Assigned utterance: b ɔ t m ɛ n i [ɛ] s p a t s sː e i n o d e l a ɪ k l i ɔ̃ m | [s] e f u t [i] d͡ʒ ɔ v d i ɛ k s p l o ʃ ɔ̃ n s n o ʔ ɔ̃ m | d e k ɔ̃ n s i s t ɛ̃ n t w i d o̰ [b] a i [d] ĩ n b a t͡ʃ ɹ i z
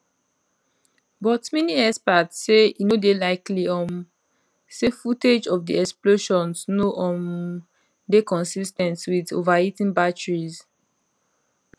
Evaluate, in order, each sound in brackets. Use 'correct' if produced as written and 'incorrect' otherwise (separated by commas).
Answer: correct, correct, incorrect, incorrect, incorrect